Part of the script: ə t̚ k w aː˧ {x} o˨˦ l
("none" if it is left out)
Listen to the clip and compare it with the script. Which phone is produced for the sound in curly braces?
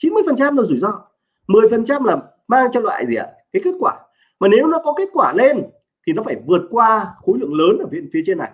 x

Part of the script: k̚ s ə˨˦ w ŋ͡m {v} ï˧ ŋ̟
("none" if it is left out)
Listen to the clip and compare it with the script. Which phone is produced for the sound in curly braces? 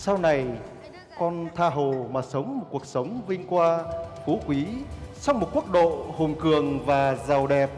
v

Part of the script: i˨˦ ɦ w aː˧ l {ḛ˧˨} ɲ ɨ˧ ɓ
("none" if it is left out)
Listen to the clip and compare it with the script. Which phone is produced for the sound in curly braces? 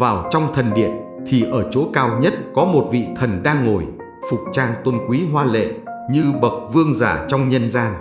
ḛ˧˨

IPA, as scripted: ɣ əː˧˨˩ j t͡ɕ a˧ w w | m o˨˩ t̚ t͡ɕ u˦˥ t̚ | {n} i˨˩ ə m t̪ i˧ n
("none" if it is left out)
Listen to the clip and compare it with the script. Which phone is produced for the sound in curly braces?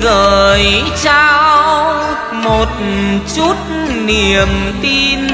n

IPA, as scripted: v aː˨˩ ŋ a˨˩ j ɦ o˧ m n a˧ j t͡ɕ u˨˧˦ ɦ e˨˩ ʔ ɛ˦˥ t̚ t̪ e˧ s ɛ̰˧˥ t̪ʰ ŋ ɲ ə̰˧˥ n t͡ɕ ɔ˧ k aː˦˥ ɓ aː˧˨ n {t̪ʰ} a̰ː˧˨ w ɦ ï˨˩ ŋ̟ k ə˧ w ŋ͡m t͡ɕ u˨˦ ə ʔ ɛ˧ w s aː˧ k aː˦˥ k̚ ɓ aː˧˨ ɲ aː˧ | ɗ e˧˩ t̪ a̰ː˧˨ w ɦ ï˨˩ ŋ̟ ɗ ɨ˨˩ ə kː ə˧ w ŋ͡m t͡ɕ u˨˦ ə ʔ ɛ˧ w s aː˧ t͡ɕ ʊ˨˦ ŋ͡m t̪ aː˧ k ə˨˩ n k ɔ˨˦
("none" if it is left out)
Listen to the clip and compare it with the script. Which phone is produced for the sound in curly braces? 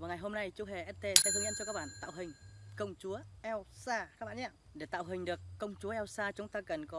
t̪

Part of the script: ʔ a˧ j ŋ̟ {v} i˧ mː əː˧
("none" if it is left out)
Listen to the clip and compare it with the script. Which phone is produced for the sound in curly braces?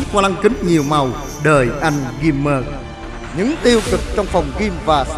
ɣ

